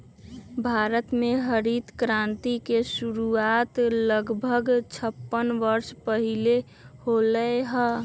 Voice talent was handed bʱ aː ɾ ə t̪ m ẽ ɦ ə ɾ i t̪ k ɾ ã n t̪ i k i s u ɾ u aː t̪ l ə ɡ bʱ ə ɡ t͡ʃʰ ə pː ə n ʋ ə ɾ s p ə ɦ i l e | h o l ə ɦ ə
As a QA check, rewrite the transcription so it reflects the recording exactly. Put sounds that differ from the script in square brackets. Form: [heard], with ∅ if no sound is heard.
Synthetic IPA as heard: bʱ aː ɾ ə t̪ m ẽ ɦ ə ɾ i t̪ k ɾ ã n t̪ i k [e] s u ɾ u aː t̪ l ə ɡ bʱ ə ɡ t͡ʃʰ ə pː ə n ʋ ə ɾ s p ə ɦ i l e | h o l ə ɦ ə